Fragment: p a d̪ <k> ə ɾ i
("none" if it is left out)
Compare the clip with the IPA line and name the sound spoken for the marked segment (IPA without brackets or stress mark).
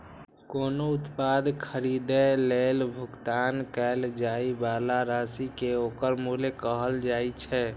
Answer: kʰ